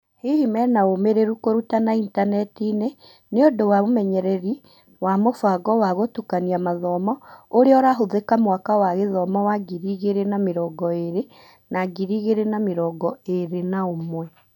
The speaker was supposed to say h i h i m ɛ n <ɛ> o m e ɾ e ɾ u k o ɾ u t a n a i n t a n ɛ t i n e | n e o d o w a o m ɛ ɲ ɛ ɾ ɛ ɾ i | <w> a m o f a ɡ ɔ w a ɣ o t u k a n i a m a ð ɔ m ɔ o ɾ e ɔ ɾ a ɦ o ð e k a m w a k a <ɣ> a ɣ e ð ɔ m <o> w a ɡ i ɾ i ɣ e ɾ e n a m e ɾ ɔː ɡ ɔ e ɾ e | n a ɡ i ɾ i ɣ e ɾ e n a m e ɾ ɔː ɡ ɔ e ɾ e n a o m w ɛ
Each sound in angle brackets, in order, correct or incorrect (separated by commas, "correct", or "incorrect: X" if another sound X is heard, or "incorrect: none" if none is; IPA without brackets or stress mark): incorrect: a, correct, incorrect: w, incorrect: ɔ